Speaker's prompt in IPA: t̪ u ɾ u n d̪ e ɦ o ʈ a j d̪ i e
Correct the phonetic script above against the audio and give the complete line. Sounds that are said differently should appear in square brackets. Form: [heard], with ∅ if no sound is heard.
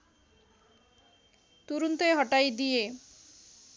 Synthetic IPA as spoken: t̪ u ɾ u n [t̪] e ɦ [ɔ] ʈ a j d̪ i e